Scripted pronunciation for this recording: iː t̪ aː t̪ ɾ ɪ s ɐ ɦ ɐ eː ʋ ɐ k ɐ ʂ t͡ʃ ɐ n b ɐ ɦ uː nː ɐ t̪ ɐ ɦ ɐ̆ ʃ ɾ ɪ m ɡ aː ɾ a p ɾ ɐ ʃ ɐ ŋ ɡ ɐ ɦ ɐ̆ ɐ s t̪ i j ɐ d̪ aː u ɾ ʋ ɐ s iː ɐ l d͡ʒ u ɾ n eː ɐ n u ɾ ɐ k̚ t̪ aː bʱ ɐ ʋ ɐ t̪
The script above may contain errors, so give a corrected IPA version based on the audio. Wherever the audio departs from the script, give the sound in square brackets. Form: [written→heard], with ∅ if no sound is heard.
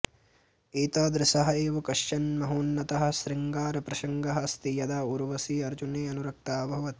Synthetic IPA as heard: iː t̪ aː [t̪→d̪] ɾ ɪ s ɐ ɦ ɐ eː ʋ ɐ k ɐ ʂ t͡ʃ ɐ n [b→m] ɐ ɦ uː nː ɐ t̪ ɐ ɦ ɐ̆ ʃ ɾ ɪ [m→ŋ] ɡ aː ɾ [a→ɐ] p ɾ ɐ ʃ ɐ ŋ ɡ ɐ ɦ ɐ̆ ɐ s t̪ i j ɐ d̪ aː u ɾ ʋ ɐ s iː ɐ [l→ɾ] d͡ʒ u [ɾ→∅] n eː ɐ n u ɾ ɐ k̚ t̪ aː bʱ ɐ ʋ ɐ t̪

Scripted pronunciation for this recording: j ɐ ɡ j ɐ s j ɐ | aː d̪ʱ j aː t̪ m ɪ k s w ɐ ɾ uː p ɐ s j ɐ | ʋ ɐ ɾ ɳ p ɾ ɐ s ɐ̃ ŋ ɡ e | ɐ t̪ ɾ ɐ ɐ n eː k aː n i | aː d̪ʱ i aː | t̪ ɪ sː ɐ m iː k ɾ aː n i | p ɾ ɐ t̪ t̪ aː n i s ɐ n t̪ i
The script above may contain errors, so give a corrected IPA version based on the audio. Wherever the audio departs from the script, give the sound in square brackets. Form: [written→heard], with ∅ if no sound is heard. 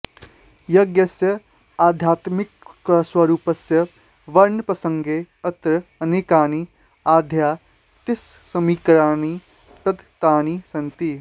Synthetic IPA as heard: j ɐ ɡ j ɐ s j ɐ | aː d̪ʱ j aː t̪ m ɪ k s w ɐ ɾ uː p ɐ s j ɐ | ʋ ɐ ɾ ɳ p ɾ ɐ s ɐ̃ ŋ ɡ e | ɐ t̪ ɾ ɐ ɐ n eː k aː n i | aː d̪ʱ [i→j] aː | t̪ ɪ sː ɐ m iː k ɾ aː n i | p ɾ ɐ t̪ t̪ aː n i s ɐ n t̪ i

